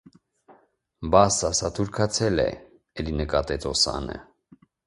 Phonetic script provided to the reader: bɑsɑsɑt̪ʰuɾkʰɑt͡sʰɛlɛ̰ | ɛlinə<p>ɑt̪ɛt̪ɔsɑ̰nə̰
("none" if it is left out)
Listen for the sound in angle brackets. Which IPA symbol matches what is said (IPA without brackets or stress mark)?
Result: k